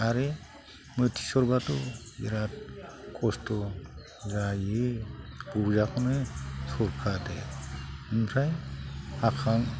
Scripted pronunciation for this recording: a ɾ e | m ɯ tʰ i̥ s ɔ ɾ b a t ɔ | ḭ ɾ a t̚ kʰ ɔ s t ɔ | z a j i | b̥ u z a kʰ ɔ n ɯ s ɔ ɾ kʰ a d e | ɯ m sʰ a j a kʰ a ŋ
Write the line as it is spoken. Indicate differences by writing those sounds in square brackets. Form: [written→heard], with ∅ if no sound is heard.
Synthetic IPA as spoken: a ɾ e | m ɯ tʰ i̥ s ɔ ɾ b a t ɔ | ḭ ɾ a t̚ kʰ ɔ s t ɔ | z a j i | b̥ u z a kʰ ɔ n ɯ s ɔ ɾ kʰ a d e | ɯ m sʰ a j a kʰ a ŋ